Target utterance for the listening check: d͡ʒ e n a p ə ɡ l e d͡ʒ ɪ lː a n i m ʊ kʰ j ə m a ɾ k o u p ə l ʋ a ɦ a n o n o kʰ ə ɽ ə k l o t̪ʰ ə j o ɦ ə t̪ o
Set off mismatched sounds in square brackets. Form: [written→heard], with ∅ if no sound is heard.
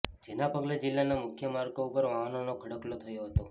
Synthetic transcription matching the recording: d͡ʒ e n a p ə ɡ l e d͡ʒ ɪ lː a n [i→a] m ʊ kʰ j ə m a ɾ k o u p ə [l→ɾ] ʋ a ɦ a n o n o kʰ ə ɽ ə k l o t̪ʰ ə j o ɦ ə t̪ o